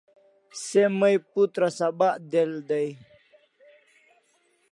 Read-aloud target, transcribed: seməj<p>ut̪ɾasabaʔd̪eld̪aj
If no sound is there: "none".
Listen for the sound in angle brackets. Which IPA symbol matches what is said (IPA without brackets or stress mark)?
p